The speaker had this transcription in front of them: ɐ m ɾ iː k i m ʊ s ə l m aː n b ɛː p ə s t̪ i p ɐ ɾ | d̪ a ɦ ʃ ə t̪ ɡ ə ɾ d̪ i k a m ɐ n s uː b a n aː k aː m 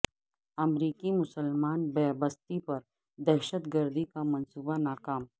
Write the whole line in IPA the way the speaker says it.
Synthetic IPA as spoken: ɐ m ɾ iː k i m ʊ s ə l m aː n b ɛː b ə s t̪ i p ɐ ɾ | d̪ ɛ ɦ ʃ ə t̪ ɡ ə ɾ d̪ i k a m ɐ n s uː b a n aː k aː m